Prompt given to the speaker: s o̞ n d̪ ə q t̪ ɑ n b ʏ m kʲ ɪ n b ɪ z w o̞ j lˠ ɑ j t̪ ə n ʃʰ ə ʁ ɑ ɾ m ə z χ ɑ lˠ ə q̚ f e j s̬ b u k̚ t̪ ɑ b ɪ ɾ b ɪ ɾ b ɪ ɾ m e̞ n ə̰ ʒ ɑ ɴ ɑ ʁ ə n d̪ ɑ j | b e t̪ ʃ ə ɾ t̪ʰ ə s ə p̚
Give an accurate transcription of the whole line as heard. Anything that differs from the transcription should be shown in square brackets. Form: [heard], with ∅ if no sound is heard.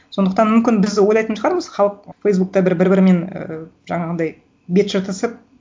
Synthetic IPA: s o̞ n d̪ ə q t̪ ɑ n [m] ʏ m kʲ ɪ n b ɪ z w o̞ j lˠ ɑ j t̪ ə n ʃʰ ə ʁ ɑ ɾ m ə z χ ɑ lˠ ə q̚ f e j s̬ b u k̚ t̪ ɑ b ɪ ɾ b ɪ ɾ b ɪ ɾ m e̞ n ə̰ ʒ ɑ ɴ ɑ ʁ ə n d̪ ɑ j | b e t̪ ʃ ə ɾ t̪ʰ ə s ə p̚